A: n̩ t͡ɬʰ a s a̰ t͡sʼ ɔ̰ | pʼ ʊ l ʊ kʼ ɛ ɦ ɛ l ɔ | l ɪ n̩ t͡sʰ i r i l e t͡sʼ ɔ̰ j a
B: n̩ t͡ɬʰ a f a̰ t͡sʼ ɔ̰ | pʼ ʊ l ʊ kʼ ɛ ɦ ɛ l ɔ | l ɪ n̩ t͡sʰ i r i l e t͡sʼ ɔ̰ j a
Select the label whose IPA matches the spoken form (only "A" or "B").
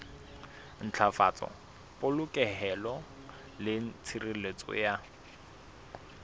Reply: B